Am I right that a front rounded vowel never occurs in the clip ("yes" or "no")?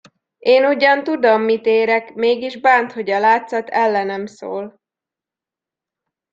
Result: yes